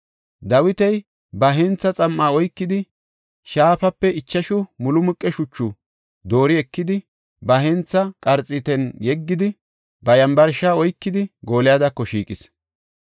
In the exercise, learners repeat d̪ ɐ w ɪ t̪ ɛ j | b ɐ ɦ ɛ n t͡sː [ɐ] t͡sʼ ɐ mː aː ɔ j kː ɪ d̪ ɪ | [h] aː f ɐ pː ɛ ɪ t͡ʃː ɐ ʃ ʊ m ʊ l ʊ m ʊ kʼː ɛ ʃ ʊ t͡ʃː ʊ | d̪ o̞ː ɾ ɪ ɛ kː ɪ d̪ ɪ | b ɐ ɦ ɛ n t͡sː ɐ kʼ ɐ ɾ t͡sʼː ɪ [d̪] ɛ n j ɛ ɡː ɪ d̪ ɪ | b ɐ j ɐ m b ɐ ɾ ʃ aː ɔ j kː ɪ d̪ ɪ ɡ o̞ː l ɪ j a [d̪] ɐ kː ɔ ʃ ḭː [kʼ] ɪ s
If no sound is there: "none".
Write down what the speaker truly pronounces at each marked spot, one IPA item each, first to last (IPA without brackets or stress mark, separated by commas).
ɐ, ʃ, t̪, d̪, kʼ